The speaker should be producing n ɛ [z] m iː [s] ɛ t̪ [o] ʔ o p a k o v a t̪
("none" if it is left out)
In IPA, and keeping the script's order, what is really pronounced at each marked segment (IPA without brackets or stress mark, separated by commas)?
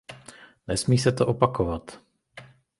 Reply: s, s, o